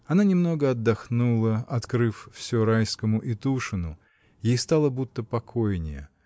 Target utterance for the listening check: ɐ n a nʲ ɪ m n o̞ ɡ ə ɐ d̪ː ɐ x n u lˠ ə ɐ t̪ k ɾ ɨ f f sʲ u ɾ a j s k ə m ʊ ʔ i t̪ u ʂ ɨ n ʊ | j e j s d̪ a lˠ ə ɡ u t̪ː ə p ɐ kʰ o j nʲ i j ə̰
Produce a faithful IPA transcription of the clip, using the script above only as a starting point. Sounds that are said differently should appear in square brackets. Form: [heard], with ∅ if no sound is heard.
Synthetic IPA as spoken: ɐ n a nʲ ɪ m n o̞ ɡ ə ɐ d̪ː ɐ x n u lˠ ə ɐ t̪ k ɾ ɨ f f sʲ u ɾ a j s k ə m ʊ ʔ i t̪ u ʂ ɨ n ʊ | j e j s [t̪] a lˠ ə [b] u t̪ː ə p ɐ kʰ o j nʲ [ɪ] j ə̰